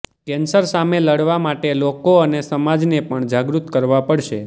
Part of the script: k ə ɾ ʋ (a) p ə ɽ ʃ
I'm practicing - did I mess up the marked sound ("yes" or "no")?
no